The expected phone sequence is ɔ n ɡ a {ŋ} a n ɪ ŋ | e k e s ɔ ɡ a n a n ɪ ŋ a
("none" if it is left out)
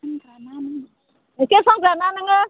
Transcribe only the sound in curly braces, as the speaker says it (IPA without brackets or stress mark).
n